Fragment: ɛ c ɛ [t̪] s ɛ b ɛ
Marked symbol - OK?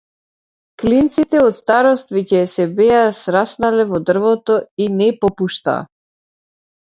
no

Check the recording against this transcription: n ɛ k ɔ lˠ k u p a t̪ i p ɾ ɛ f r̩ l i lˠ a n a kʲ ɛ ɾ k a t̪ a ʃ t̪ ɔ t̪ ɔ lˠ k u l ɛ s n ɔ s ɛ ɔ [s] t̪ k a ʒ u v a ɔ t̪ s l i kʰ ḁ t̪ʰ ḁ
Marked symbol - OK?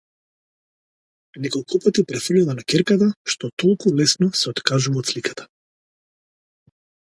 no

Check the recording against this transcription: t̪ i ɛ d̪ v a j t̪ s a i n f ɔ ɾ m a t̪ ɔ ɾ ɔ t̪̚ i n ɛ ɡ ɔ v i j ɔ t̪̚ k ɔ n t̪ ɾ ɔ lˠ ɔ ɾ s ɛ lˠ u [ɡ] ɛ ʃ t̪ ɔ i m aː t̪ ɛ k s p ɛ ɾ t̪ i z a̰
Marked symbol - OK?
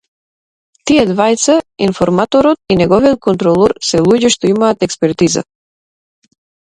no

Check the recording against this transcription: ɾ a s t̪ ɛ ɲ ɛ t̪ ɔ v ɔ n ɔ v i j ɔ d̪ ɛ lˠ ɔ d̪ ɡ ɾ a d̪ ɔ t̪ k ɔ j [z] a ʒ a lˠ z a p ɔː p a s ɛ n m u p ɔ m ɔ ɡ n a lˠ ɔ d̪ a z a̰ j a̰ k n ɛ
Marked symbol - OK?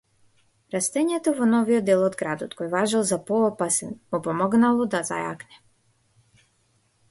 no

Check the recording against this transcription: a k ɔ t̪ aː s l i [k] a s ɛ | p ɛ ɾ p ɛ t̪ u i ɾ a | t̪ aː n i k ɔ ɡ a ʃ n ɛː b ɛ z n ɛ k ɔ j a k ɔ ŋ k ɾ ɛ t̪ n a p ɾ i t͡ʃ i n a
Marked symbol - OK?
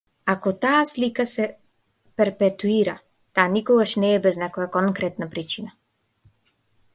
yes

